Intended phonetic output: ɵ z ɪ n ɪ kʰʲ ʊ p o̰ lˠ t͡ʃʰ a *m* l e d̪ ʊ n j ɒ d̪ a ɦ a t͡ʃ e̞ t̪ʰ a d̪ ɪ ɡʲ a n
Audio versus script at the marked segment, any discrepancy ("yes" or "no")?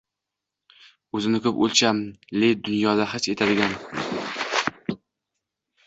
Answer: no